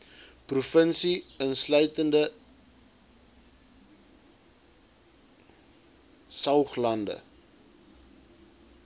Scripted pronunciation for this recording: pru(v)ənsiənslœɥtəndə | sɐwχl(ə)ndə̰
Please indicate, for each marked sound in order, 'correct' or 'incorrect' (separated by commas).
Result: incorrect, incorrect